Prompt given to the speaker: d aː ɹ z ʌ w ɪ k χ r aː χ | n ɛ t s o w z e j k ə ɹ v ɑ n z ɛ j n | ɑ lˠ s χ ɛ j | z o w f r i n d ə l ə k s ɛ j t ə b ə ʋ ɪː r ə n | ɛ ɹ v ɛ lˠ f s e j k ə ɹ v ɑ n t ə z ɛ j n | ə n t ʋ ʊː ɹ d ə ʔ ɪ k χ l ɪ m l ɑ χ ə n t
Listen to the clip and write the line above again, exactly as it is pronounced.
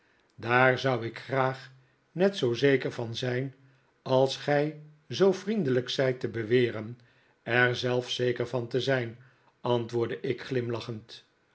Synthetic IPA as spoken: d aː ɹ z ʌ w ɪ k χ r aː χ | n ɛ t s o w z e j k ə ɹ v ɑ n z ɛ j n | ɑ lˠ s χ ɛ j | z o w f r i n d ə l ə k s ɛ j t ə b ə ʋ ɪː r ə n | ɛ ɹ z ɛ lˠ f s e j k ə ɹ v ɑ n t ə z ɛ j n | ɑ n t ʋ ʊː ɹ d ə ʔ ɪ k χ l ɪ m l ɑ χ ə n t

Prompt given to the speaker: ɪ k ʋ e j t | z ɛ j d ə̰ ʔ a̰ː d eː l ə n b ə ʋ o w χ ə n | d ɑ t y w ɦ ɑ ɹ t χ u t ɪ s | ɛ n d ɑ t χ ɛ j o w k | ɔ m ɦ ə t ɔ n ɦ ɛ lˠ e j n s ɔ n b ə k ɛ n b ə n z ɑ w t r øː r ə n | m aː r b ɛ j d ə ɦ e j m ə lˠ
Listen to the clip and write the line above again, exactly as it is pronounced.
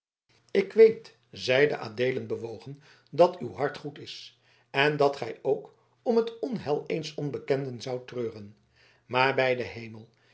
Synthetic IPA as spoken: ɪ k ʋ e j t | z ɛ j d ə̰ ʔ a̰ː d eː l ə n b ə ʋ o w χ ə n | d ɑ t y w ɦ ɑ ɹ t χ u t ɪ s | ɛ n d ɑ t χ ɛ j o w k | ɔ m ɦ ə t ɔ n ɦ ɛ lˠ e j n s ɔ n b ə k ɛ n d ə n z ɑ w t r øː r ə n | m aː ɹ b ɛ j d ə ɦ e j m ə lˠ

